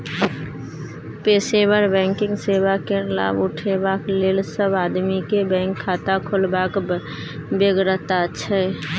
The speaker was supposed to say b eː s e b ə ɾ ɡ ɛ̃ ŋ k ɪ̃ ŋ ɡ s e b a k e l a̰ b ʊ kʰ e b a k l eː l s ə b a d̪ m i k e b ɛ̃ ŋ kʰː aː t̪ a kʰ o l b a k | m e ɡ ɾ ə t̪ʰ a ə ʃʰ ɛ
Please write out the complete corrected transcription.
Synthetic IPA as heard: p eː s e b ə ɾ b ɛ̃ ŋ k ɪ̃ ŋ ɡ s e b a k e l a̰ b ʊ ʈʰ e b a k l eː l s ə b a d̪ m i k e b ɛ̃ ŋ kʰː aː t̪ a kʰ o l b a k | b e ɡ ɾ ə t̪ a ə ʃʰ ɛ

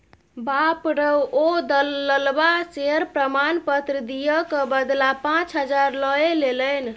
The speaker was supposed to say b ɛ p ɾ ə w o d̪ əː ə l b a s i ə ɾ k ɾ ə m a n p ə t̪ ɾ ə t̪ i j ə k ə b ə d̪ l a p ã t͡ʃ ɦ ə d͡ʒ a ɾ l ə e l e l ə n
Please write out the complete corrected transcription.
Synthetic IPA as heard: b a p ɾ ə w o d̪ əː ə l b a s e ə ɾ p ɾ ə m a n p ə t̪ ɾ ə d̪ i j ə k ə b ə d̪ l a p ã t͡ʃ ɦ ə d͡ʒ a ɾ l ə e l e l ə n

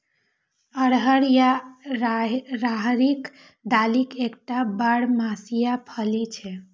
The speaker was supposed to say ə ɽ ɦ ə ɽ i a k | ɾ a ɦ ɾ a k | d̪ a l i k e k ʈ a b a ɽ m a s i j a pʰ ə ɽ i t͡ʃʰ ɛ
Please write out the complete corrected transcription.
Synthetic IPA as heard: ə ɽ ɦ ə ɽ j a | ɾ a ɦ ɾ i k | d̪ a l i k e k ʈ a b a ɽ m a s i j a pʰ ə l i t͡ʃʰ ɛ

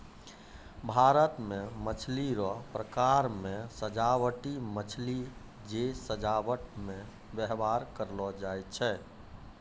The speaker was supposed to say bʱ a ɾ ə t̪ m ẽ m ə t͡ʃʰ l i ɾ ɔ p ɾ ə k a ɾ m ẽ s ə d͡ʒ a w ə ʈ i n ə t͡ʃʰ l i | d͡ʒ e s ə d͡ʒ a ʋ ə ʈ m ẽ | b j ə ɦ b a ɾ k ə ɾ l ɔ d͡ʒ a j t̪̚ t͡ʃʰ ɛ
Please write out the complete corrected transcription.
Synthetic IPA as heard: bʱ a ɾ ə t̪ m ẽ m ə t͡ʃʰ l i ɾ ɔ p ɾ ə k a ɾ m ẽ s ə d͡ʒ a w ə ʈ i m ə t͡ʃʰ l i | d͡ʒ e s ə d͡ʒ a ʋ ə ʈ m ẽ | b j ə ɦ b a ɾ k ə ɾ l ɔ d͡ʒ a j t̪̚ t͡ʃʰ ɛ

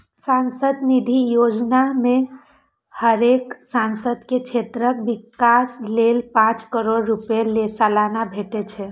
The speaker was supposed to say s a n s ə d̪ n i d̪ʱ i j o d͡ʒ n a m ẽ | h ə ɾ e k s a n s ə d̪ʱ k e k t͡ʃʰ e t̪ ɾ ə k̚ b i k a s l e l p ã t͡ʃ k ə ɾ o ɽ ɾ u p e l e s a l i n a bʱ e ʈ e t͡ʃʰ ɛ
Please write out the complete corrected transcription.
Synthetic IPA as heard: s a n s ə d̪ n i d̪ʱ i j o d͡ʒ n a m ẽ | h ə ɾ e k s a n s ə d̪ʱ k e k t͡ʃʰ e t̪ ɾ ə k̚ b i k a s l e l p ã t͡ʃ k ə ɾ o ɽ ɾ u p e l e s a l a n a bʱ e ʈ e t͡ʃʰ ɛ

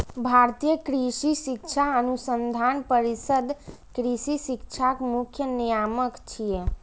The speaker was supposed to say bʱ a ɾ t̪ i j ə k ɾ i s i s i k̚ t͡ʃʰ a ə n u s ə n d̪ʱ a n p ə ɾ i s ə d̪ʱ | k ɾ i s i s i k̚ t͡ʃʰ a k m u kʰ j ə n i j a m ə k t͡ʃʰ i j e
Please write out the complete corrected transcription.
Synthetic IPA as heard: bʱ a ɾ t̪ i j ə k ɾ i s i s i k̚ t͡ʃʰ a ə n u s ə n d̪ʱ a n p ə ɾ i s ə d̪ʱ | k ɾ i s i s i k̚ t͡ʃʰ a k m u kʰ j ə n i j a m ə k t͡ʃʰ i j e

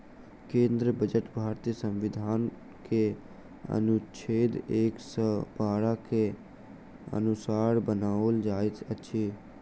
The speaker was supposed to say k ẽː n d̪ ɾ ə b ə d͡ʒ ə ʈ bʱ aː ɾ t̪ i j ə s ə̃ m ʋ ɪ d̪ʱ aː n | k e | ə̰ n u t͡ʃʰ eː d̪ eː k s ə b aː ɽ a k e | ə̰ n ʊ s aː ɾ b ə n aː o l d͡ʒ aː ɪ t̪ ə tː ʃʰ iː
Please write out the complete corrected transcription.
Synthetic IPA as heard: k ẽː n d̪ ɾ ə b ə d͡ʒ ə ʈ bʱ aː ɾ t̪ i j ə s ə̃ m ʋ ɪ d̪ʱ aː n | k e | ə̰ n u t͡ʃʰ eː d̪ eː k s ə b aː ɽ a k e | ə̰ n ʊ s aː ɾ b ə n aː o l d͡ʒ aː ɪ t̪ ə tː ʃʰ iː

